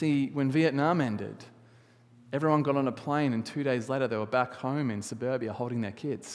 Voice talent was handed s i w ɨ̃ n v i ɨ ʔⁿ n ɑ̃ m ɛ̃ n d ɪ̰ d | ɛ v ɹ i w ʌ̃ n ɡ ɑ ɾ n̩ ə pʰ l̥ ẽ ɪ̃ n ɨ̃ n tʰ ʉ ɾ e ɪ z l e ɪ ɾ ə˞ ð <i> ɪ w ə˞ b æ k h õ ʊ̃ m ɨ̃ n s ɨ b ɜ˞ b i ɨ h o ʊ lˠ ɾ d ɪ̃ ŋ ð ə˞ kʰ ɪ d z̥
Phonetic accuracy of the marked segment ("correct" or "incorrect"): incorrect